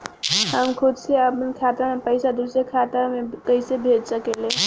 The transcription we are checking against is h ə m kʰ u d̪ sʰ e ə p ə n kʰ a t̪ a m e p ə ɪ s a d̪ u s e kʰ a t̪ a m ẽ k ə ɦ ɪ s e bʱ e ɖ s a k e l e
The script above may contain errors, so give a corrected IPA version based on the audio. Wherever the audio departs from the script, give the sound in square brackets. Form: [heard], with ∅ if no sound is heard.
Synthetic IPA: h ə m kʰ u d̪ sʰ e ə p ə n kʰ a t̪ a m e p ə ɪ s a d̪ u s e kʰ a t̪ a m [e] k ə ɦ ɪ s e bʱ e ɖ s [ə] k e l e